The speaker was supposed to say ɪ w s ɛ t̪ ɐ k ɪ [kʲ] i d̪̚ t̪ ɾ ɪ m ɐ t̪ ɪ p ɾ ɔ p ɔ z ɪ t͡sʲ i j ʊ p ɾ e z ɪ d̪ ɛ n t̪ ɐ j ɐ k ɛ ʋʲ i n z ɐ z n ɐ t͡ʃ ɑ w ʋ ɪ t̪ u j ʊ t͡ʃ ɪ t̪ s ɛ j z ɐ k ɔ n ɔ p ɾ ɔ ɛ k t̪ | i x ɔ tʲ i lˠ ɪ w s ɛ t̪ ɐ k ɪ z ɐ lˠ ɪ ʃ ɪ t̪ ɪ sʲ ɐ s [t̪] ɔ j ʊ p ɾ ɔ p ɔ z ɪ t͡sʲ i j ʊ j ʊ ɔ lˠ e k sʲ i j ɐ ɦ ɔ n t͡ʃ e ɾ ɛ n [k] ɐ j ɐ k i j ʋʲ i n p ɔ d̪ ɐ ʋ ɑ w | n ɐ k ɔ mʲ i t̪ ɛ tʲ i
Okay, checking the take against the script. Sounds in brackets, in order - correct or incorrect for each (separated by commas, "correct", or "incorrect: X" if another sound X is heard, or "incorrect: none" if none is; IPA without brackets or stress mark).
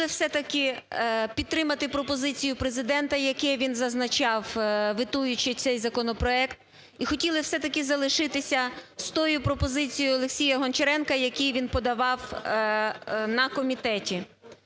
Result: incorrect: pʲ, correct, correct